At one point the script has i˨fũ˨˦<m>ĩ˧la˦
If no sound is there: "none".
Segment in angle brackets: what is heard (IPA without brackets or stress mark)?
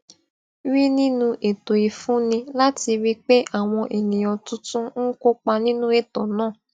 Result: n